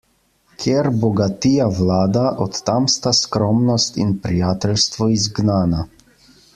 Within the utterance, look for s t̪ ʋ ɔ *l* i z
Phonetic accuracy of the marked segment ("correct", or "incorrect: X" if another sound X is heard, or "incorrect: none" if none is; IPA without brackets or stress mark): incorrect: none